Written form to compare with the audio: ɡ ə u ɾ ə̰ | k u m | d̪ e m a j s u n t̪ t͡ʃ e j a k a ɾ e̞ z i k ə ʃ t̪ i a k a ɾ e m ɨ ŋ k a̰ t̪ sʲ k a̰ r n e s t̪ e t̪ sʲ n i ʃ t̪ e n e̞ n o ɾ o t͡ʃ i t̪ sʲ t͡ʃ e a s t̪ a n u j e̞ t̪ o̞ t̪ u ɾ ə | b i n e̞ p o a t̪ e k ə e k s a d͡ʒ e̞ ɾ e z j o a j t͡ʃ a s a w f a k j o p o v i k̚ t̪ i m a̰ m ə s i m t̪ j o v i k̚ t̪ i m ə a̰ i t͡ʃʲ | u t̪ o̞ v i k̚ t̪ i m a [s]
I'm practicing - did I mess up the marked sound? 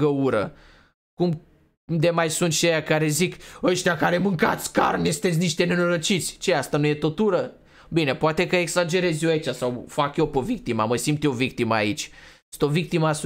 no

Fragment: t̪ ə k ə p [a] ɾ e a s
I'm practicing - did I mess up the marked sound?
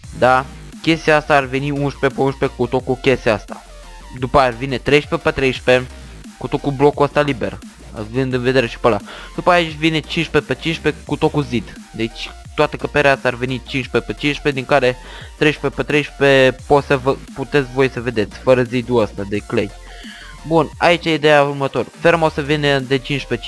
yes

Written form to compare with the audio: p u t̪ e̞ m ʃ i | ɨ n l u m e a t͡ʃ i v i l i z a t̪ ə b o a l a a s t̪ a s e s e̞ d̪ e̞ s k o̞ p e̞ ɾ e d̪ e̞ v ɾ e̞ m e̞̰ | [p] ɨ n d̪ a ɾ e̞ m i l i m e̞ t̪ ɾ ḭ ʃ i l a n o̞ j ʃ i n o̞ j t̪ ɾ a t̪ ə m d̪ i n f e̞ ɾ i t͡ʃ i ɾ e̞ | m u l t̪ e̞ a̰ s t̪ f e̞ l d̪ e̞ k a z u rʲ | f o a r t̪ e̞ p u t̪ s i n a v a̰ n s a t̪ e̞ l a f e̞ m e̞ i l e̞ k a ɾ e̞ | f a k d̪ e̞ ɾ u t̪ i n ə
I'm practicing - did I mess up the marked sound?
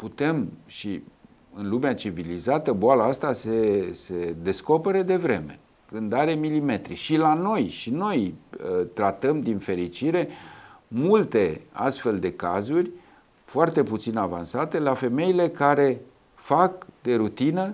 yes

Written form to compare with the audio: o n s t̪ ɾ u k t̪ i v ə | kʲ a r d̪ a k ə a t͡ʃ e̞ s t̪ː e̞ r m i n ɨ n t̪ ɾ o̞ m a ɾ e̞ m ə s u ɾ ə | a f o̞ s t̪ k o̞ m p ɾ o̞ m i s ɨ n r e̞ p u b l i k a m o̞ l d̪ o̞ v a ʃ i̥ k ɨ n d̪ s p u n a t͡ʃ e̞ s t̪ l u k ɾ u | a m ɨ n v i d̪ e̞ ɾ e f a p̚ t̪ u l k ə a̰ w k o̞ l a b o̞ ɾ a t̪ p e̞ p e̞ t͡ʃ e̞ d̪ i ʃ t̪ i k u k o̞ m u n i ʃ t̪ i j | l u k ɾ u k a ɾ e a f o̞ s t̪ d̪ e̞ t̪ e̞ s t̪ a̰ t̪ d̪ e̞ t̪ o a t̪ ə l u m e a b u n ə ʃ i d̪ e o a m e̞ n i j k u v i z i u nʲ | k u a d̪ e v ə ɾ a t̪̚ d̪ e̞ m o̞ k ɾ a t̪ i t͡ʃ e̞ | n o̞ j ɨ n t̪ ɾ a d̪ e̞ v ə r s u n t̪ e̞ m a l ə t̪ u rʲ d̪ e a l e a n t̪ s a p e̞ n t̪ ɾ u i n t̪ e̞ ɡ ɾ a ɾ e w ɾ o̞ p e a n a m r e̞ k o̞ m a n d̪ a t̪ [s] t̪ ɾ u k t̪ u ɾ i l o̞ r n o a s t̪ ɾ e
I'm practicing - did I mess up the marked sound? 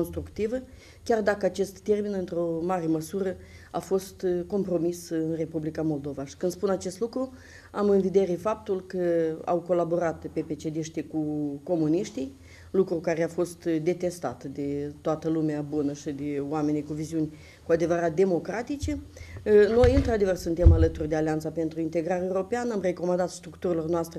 no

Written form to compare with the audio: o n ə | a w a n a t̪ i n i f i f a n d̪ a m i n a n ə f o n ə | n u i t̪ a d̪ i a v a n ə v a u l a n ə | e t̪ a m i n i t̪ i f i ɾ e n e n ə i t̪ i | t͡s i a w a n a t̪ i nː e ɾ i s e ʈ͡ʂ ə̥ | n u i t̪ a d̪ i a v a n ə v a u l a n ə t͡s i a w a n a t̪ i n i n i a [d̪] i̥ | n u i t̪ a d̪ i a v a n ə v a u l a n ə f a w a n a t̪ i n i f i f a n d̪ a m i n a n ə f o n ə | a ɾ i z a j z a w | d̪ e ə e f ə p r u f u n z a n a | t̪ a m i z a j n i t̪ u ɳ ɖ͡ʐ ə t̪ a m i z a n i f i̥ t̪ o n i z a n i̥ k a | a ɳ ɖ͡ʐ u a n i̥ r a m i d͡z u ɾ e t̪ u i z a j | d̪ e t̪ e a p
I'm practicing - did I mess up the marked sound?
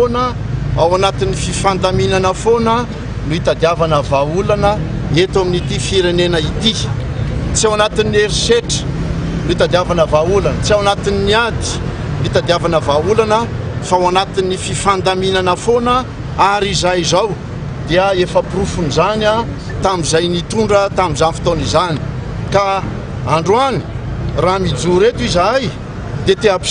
no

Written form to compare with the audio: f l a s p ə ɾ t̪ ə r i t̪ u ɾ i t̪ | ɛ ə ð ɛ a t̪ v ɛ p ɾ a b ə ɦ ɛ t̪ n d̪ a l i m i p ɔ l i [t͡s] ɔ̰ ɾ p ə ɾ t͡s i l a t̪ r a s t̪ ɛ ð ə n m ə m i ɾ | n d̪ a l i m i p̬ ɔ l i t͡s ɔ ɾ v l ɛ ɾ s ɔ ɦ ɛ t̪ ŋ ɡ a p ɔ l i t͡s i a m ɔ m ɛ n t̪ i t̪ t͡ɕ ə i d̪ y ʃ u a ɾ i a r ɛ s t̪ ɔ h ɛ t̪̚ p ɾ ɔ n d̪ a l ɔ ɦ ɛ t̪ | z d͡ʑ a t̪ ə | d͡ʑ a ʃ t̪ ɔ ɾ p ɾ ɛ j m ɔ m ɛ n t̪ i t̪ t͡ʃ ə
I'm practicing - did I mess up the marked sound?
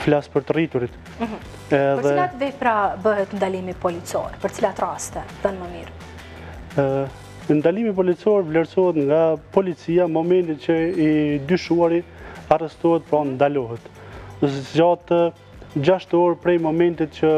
no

